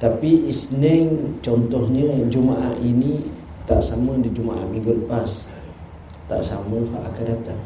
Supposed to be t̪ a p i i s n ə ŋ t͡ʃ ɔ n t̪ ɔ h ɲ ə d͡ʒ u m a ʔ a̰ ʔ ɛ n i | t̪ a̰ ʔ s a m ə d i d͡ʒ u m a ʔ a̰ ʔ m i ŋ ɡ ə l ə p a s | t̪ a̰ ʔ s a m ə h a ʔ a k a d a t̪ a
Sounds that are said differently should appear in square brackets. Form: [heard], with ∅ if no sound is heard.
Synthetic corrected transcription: t̪ a p i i s n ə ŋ t͡ʃ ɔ n t̪ ɔ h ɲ ə d͡ʒ u m a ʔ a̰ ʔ [i] n i | t̪ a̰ ʔ s a m ə d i d͡ʒ u m a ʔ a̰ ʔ m i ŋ ɡ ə l ə p a s | t̪ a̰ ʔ s a m ə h a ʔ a k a d a t̪ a